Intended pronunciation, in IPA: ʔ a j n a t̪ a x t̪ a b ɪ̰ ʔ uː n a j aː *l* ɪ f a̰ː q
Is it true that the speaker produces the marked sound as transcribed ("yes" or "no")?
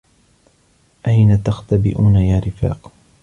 no